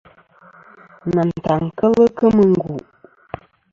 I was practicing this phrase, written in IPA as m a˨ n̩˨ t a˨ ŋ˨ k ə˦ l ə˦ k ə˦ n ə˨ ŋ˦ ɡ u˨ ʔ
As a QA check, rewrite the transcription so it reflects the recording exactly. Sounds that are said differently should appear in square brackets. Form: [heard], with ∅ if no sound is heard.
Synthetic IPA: [n] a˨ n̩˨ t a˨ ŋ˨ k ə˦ l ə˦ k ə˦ [m] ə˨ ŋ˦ ɡ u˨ ʔ